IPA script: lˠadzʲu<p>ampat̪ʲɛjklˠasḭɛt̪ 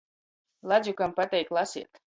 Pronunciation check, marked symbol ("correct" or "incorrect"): incorrect